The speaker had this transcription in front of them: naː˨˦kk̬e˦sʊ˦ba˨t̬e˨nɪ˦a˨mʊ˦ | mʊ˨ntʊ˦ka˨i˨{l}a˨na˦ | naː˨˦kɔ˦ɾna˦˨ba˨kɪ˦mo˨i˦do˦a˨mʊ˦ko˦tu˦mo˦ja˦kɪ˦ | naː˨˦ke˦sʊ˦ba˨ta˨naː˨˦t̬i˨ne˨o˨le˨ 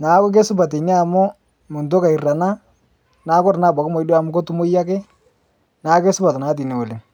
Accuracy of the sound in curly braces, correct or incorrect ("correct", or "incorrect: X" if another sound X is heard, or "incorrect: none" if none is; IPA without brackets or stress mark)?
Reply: incorrect: r